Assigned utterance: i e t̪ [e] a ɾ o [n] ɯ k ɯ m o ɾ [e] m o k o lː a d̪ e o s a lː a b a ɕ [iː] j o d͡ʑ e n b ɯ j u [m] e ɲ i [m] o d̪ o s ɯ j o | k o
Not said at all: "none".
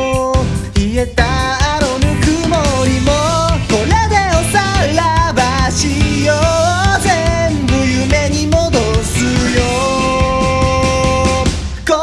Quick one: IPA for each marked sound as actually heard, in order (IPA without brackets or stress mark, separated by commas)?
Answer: a, n, i, i, m, m